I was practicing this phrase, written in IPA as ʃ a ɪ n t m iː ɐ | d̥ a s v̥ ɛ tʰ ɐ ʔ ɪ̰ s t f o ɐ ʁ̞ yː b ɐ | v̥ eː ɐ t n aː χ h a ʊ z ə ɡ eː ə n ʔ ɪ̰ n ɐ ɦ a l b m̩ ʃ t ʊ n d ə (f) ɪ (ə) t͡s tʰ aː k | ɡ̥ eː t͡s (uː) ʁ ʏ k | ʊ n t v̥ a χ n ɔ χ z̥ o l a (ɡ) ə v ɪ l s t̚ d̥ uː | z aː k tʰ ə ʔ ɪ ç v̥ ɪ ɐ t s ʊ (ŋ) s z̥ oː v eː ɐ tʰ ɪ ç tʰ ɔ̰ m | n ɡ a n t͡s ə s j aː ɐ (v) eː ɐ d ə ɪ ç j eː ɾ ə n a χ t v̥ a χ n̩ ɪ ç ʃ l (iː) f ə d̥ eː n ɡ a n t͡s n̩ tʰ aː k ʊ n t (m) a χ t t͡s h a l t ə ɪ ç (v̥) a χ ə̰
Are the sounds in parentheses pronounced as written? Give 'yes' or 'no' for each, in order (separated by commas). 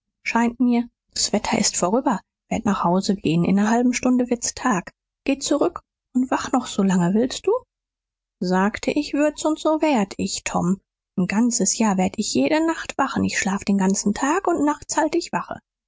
no, no, no, no, no, yes, no, no, yes